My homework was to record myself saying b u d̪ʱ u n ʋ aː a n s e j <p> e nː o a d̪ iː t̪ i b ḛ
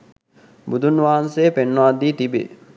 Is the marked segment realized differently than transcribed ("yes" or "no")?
no